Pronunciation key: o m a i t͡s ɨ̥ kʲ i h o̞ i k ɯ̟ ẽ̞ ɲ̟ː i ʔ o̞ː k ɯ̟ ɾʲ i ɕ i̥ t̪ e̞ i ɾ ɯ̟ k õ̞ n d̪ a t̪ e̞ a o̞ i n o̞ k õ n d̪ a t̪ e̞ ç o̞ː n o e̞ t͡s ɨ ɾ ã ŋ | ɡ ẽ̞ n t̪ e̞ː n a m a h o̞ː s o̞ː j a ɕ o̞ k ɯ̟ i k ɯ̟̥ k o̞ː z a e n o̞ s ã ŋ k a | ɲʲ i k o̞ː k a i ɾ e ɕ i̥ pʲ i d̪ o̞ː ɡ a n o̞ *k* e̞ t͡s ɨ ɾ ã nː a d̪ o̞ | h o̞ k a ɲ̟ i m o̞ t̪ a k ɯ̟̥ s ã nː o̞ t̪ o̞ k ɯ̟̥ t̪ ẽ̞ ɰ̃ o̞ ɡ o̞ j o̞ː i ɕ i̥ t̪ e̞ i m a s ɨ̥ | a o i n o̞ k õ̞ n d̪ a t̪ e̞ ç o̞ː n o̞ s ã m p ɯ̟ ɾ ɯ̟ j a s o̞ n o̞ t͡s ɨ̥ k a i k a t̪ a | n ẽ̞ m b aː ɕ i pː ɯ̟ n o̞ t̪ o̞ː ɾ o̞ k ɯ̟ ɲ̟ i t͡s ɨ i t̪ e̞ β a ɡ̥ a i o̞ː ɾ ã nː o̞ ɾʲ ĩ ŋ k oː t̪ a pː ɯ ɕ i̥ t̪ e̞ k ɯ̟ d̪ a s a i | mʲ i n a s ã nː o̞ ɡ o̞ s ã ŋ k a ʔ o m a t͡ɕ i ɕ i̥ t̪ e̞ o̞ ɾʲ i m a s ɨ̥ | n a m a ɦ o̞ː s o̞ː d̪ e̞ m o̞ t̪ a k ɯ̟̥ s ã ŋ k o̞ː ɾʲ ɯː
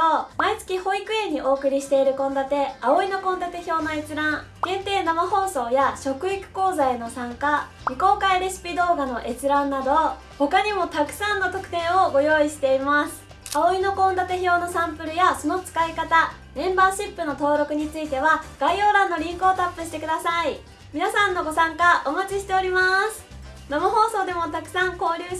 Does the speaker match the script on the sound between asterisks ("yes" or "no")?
no